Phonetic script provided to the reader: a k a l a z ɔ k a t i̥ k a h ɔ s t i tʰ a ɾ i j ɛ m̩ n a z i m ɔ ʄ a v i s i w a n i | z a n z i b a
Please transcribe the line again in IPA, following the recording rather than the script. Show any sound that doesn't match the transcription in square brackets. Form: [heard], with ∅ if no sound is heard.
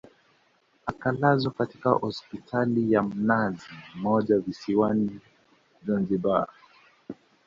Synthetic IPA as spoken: a k a l a z ɔ k a t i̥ k a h ɔ s [p] i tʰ a [l] i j [a] m̩ n a z i m ɔ ʄ a v i s i w a n i | z a n z i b a

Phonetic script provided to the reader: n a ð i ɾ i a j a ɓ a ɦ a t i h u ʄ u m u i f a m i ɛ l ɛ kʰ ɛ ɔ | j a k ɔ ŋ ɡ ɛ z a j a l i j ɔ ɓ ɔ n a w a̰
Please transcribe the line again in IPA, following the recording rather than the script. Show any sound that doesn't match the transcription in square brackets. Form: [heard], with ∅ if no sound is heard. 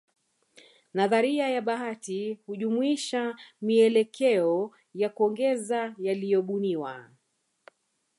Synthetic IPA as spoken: n a ð [a] ɾ i a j a ɓ a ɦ a t i h u ʄ u m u i [ʃ] a m i ɛ l ɛ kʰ ɛ ɔ | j a k ɔ ŋ ɡ ɛ z a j a l i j ɔ ɓ [u] n [i] w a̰

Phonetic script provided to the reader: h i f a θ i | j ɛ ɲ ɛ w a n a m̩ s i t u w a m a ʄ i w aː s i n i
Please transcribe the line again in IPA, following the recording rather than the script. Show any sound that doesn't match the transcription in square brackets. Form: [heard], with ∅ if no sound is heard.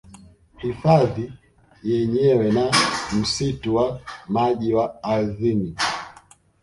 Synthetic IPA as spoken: h i f a [ð] i | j ɛ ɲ ɛ w [ɛ] n a m̩ s i t u w a m a ʄ i w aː [z] i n i

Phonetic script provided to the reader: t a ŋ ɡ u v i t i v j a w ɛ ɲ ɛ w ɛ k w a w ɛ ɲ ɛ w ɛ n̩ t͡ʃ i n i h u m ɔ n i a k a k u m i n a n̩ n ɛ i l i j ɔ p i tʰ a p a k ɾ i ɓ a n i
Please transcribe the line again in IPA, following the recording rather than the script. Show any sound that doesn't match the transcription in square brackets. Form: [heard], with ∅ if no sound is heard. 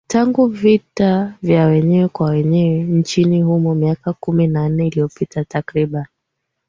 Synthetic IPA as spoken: t a ŋ ɡ u v i t [a] v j a w ɛ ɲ ɛ w ɛ k w a w ɛ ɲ ɛ w ɛ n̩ t͡ʃ i n i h u m ɔ [m] i a k a k u m i n a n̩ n ɛ i l i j ɔ p i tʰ a [t] a k ɾ i ɓ a n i

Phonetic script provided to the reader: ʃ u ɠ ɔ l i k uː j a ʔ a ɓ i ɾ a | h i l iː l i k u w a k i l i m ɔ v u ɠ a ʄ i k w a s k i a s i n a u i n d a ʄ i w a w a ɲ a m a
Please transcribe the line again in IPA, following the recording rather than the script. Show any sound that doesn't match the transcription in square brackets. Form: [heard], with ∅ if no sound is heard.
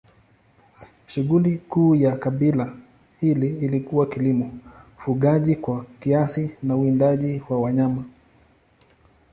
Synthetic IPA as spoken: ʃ u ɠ [u] l i k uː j a [k] a ɓ i [l] a | h i l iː l i k u w a k i l i m ɔ [f] u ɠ a ʄ i k w a [∅] k i a s i n a u i n d a ʄ i w a w a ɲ a m a

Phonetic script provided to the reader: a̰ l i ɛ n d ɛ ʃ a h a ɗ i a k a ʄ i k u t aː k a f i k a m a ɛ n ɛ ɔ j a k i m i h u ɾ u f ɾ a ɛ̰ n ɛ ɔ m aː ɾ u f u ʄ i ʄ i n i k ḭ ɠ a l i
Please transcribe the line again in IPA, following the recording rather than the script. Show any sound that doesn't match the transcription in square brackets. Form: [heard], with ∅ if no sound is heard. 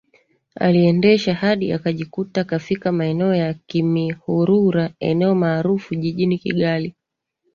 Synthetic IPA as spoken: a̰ l i ɛ n d ɛ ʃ a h a ɗ i a k a ʄ i k u t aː k a f i k a m a ɛ n ɛ ɔ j a k i m i h u ɾ u [∅] ɾ a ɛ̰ n ɛ ɔ m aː ɾ u f u ʄ i ʄ i n i k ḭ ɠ a l i

